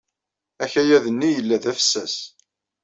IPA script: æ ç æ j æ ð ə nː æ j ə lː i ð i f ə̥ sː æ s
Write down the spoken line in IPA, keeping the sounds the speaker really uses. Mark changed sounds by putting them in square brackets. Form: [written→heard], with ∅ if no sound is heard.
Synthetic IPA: æ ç æ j æ ð ə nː [æ→i] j ə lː [i→æ] ð [i→æ] f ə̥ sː æ s